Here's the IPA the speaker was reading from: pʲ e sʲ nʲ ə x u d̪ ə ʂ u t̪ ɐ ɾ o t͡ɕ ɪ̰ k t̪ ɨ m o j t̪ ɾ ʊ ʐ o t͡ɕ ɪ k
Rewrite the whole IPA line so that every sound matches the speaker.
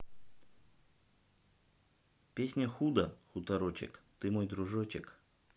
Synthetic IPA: pʲ e sʲ nʲ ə x u d̪ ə x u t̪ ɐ ɾ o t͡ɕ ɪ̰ k t̪ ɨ m o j d̪ ɾ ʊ ʐ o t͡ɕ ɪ k